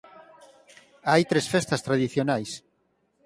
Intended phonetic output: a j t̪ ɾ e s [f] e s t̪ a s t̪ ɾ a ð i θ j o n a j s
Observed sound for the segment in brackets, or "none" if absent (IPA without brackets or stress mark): f